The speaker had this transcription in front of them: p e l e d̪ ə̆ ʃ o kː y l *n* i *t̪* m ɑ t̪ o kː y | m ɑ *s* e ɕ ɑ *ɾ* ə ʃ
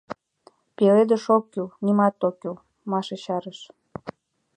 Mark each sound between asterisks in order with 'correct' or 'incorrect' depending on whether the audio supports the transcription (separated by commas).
correct, incorrect, incorrect, correct